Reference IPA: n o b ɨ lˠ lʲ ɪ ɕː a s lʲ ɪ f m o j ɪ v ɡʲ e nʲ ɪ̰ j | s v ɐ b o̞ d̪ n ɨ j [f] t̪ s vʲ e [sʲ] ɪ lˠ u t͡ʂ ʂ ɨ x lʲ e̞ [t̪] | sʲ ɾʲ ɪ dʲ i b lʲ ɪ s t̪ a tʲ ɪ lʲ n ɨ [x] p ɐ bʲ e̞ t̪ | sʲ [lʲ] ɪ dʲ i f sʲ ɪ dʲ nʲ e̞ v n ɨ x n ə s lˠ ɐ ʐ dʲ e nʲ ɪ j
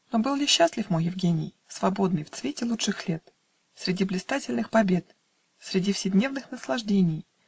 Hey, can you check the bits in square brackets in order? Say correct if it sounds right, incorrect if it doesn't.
correct, incorrect, correct, correct, incorrect

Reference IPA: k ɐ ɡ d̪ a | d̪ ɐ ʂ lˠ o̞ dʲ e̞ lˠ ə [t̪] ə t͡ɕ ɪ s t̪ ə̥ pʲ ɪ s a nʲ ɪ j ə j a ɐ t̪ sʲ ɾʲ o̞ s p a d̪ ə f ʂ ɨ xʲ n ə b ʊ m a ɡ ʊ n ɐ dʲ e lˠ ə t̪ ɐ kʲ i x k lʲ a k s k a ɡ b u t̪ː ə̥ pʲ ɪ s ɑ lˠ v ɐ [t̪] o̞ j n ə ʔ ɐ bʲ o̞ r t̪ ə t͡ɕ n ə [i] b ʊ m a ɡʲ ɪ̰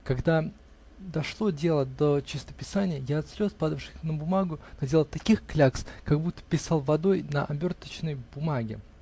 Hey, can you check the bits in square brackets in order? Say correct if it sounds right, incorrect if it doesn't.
incorrect, incorrect, incorrect

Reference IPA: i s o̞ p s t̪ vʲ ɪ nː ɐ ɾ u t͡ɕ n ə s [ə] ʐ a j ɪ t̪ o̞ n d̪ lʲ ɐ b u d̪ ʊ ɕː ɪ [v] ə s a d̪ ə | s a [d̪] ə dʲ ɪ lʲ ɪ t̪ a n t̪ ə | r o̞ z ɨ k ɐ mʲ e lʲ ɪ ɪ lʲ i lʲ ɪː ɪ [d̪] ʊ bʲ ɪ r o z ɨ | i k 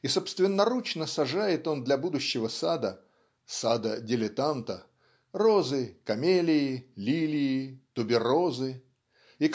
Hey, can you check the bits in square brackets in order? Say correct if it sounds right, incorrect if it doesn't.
incorrect, correct, correct, incorrect

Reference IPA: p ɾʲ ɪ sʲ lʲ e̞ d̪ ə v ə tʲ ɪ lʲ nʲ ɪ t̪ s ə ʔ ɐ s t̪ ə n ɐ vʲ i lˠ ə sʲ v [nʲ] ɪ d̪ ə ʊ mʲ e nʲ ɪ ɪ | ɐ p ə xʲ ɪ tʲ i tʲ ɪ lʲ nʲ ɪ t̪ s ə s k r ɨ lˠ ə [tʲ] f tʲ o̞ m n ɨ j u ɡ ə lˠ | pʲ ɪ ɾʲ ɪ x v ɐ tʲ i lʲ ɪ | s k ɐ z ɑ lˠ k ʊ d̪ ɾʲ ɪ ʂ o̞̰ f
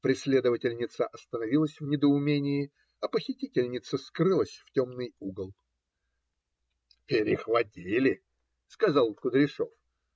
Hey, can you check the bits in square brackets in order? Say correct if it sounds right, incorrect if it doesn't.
correct, incorrect

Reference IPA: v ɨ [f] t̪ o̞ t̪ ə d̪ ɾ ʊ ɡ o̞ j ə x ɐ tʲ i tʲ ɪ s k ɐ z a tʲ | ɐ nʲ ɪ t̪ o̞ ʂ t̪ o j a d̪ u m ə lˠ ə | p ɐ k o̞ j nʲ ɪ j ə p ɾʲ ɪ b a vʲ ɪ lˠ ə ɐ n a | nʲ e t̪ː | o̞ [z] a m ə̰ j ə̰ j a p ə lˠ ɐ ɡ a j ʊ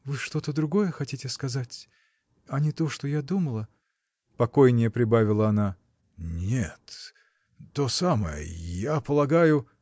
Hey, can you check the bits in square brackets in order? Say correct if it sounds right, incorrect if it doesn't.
incorrect, incorrect

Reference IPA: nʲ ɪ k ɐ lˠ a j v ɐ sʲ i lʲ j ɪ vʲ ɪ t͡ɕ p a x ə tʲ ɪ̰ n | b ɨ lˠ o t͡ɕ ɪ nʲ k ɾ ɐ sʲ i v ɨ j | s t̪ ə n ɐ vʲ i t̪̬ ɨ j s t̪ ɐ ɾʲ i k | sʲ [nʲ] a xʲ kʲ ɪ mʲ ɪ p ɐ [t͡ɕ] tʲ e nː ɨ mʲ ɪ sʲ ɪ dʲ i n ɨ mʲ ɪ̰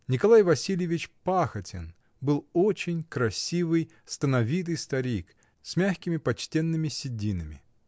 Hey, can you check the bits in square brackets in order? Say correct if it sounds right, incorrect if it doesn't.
incorrect, correct

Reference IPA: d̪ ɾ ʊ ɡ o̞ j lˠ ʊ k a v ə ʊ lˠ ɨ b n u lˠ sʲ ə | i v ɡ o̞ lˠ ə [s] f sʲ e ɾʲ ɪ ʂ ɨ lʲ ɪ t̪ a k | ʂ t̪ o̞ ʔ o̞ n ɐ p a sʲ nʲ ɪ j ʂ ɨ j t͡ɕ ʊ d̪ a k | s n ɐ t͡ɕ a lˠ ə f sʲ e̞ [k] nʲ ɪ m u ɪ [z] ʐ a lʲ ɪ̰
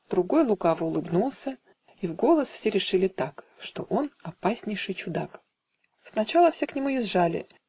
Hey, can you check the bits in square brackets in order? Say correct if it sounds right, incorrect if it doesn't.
correct, correct, correct

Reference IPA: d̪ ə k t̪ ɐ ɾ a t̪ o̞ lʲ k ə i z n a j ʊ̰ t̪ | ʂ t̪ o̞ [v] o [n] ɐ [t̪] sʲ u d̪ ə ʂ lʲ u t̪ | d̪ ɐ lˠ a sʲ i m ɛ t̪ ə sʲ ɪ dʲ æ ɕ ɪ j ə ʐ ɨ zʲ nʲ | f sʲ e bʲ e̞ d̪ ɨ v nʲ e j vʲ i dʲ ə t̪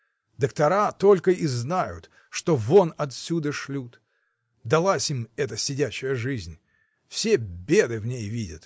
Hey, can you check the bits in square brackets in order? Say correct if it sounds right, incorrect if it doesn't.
correct, correct, correct

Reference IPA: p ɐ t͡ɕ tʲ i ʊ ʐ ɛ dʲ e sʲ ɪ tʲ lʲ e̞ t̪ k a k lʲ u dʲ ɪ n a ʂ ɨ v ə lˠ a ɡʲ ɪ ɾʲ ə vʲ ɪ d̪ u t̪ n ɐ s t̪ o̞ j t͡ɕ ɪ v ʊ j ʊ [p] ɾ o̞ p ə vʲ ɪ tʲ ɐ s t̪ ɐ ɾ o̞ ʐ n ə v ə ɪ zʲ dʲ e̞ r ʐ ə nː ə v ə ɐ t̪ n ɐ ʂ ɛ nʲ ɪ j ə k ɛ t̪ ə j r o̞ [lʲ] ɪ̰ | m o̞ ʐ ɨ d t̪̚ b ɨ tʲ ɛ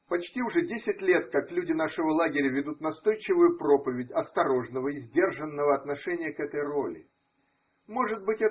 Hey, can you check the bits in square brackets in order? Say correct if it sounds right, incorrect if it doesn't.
correct, correct

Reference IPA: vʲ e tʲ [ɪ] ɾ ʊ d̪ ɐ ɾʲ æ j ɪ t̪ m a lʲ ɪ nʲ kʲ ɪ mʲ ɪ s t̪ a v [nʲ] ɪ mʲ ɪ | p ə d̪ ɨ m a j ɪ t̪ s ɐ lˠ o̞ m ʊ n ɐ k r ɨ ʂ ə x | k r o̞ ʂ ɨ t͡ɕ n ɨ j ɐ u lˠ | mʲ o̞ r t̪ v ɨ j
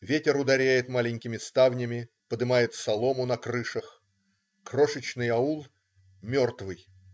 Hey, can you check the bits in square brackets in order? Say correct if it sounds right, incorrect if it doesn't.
correct, correct

